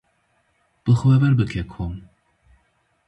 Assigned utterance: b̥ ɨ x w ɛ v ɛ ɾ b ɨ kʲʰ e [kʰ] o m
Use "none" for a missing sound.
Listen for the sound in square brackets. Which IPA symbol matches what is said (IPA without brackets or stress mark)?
kʰ